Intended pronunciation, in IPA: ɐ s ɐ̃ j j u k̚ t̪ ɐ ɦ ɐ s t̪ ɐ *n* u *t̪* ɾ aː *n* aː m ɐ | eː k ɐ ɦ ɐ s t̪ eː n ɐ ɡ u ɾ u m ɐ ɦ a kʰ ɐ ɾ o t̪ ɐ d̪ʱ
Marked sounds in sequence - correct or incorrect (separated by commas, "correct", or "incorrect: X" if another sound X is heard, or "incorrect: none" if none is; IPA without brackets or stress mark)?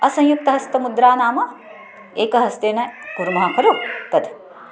incorrect: m, incorrect: d̪, correct